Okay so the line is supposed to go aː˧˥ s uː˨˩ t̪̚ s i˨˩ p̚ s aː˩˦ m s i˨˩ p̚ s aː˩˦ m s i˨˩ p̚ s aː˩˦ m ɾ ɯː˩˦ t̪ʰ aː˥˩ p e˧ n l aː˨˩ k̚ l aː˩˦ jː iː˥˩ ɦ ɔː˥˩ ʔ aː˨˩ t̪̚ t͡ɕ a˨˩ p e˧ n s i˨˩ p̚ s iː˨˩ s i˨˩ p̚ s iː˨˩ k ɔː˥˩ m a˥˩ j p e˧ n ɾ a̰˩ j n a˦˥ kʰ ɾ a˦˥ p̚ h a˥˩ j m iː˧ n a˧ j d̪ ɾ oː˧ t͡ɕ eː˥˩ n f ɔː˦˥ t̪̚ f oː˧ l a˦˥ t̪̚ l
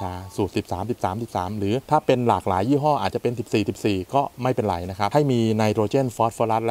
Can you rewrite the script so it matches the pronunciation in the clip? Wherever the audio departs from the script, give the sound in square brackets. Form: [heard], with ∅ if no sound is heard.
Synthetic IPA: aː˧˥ s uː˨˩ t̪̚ s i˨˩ p̚ s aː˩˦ m s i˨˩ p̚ s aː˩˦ m s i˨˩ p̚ s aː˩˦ m ɾ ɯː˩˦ t̪ʰ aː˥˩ p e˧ n l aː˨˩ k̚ l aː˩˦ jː iː˥˩ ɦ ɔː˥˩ ʔ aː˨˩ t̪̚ t͡ɕ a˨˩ p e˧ n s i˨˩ p̚ s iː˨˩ s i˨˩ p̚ s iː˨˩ k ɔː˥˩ m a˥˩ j p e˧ n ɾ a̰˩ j n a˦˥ kʰ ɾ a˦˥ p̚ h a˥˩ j m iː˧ n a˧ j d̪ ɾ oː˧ t͡ɕ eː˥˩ n f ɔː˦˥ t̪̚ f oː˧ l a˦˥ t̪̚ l